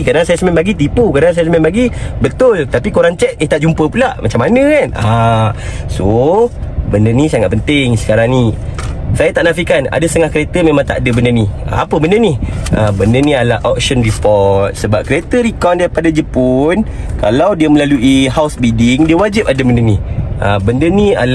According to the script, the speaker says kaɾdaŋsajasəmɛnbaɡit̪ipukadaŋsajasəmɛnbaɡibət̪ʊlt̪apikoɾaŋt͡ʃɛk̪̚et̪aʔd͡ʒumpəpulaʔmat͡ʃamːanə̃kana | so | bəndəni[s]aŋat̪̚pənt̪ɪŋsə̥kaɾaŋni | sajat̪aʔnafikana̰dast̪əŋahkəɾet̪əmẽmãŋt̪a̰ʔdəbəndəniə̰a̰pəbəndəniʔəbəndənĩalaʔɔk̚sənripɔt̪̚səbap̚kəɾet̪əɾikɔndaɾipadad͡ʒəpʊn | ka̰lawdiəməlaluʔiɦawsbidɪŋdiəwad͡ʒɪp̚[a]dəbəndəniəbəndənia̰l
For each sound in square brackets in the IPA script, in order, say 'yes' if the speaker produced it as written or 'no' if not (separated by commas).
yes, yes